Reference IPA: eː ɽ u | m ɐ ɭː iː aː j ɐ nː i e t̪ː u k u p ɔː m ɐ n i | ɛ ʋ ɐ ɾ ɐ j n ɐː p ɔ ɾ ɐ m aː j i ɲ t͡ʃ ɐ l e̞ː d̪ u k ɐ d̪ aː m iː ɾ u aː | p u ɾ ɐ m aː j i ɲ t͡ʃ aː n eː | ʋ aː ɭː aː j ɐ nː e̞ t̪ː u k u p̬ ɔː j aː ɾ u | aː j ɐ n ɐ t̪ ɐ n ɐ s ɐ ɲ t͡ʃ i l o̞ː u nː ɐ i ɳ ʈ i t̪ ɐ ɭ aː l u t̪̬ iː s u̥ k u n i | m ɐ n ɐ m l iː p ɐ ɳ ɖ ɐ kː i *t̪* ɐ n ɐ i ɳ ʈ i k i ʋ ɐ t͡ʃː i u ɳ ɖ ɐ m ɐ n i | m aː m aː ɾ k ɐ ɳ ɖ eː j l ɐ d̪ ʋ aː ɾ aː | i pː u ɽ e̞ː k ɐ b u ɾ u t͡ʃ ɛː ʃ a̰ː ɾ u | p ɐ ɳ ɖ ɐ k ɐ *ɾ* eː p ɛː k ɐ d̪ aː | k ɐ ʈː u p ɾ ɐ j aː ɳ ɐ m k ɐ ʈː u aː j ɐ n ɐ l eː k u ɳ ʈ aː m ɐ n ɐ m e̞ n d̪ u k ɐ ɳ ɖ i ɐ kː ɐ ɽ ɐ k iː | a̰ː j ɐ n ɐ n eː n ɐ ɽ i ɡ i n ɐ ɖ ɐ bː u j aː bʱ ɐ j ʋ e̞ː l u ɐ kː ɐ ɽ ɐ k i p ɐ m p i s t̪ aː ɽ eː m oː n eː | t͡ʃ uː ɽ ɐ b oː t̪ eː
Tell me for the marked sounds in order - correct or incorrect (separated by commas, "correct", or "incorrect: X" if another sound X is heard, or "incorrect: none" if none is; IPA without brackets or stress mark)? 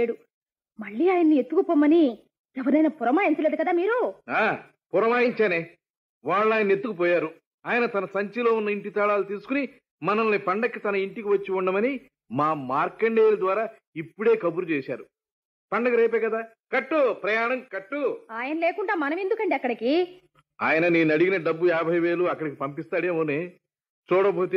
correct, correct